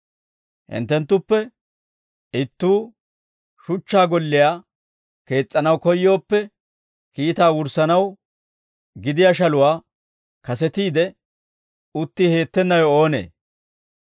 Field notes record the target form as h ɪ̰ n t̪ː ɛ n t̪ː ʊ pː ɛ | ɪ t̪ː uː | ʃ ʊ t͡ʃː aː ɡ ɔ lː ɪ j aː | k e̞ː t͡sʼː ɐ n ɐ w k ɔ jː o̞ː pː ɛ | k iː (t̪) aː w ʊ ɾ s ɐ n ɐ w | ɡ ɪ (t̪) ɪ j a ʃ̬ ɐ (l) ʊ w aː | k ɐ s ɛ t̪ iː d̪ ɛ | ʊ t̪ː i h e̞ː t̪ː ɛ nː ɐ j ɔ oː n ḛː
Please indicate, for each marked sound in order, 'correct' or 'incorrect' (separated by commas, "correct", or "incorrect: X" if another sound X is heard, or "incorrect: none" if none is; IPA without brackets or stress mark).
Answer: correct, incorrect: d̪, correct